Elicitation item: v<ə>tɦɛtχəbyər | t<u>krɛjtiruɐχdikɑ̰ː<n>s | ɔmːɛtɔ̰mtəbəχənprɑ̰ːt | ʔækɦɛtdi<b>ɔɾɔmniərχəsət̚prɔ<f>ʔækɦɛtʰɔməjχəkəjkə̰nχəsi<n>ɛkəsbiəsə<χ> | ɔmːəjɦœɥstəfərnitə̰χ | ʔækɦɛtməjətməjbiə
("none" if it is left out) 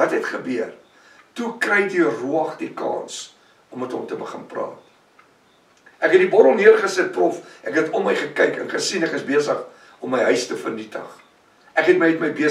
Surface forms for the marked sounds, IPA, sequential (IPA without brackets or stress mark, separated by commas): ɐ, u, n, b, f, n, χ